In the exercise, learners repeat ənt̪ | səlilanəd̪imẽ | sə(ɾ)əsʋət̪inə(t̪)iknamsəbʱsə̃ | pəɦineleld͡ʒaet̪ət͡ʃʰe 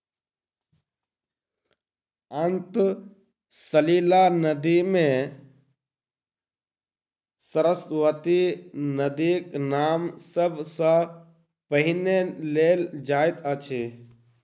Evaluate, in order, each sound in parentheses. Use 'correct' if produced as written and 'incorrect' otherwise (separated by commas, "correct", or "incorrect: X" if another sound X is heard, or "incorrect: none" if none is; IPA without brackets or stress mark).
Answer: correct, incorrect: d̪